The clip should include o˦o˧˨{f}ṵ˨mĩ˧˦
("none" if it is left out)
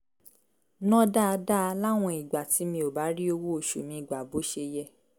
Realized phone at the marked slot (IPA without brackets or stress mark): ʃ